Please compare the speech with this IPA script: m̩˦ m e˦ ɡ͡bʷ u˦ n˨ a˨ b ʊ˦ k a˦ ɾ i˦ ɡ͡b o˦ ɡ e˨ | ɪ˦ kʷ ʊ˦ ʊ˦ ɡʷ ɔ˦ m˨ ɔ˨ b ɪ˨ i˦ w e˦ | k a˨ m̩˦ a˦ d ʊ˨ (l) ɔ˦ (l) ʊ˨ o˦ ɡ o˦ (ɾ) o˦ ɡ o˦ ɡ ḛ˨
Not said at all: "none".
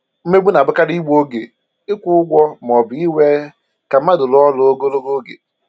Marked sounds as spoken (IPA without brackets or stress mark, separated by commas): l, l, l